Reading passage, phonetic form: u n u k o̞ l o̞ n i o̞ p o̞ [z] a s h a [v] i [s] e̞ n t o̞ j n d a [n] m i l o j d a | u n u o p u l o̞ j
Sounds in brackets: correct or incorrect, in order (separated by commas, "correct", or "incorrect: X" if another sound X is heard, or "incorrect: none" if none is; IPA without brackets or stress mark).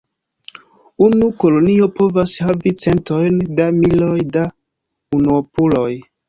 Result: incorrect: v, correct, incorrect: t͡s, incorrect: none